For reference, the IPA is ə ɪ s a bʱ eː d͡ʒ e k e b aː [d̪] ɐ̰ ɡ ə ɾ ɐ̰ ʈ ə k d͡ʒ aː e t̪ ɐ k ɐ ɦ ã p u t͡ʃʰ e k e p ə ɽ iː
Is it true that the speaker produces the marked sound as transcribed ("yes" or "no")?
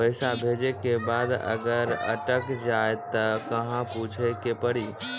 yes